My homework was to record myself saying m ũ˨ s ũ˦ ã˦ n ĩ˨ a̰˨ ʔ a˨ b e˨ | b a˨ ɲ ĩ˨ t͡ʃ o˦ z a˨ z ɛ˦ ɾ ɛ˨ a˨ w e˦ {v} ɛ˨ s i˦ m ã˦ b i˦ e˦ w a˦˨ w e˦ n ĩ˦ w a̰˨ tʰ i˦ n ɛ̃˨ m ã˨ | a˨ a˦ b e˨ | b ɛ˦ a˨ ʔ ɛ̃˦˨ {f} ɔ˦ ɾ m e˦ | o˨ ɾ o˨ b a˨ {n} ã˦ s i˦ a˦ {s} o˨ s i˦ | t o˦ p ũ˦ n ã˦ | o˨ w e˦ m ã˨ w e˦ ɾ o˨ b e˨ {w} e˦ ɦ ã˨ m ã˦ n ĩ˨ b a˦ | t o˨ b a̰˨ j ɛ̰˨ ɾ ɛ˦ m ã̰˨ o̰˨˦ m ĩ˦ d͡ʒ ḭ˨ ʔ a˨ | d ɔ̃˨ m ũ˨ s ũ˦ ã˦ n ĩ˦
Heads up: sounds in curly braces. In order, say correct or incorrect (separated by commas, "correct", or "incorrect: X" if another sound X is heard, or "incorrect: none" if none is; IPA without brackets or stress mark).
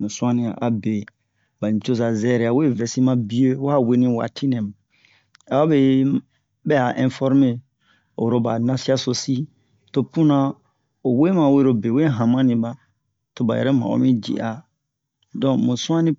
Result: correct, correct, correct, correct, correct